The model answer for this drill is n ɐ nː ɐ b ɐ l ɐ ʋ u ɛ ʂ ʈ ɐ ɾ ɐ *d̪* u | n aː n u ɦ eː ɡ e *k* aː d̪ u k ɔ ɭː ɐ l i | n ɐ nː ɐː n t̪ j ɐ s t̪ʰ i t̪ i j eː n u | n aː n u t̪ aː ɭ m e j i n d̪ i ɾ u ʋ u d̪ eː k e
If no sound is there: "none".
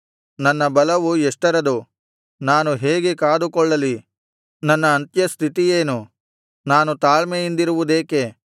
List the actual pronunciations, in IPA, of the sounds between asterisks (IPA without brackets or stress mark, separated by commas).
d̪, k